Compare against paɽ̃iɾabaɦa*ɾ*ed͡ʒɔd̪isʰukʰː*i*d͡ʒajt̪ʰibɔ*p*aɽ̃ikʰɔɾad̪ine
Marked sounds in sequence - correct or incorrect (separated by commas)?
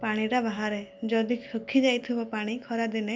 correct, correct, correct